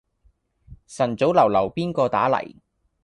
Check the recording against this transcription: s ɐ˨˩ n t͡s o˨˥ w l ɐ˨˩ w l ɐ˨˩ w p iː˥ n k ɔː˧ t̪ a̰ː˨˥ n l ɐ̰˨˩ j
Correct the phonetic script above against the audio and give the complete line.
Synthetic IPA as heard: s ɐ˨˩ n t͡s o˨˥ w l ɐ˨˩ w l ɐ˨˩ w p iː˥ n k ɔː˧ t̪ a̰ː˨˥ l ɐ̰˨˩ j